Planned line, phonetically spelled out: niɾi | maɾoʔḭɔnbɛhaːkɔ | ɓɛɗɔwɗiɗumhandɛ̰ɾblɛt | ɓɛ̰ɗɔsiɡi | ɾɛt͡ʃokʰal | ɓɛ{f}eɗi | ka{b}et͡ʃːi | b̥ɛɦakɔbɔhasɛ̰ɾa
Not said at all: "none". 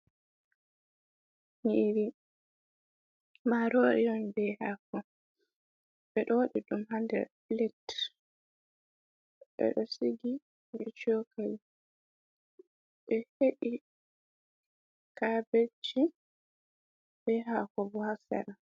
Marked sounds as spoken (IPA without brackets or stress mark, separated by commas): h, b